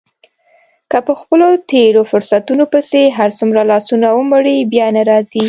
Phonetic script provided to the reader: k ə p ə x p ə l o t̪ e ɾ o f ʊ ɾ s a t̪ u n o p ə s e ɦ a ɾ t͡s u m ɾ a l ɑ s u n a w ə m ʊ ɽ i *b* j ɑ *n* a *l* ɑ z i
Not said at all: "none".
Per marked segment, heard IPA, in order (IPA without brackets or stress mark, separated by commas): b, n, ɾ